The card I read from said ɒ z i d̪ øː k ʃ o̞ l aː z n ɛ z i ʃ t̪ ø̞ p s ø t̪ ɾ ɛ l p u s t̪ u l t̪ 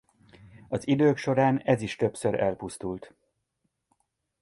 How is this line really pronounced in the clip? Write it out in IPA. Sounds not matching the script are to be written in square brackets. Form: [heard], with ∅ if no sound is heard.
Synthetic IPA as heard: ɒ z i d̪ øː k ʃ o̞ [ɾ] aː [∅] n ɛ z i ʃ t̪ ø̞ p s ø [∅] ɾ ɛ l p u s t̪ u l t̪